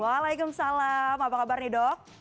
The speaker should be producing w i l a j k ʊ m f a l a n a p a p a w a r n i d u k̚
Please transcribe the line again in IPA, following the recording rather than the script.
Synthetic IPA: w a l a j k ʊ m s a l a m a p a k a b a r n i d ɔ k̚